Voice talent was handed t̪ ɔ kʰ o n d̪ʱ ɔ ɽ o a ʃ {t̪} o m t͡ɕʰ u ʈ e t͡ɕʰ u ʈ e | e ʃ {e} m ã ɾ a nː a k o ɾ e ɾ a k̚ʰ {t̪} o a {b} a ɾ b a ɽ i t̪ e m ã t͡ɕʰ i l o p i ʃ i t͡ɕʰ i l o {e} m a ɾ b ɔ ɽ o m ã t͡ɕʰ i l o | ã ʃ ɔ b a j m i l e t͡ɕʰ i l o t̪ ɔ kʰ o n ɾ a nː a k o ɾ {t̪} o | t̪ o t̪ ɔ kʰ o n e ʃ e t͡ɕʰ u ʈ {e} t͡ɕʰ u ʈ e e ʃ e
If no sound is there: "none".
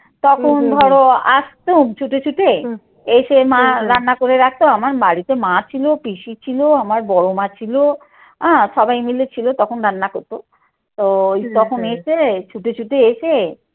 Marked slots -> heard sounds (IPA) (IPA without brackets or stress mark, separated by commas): t̪, e, t̪, m, a, t̪, e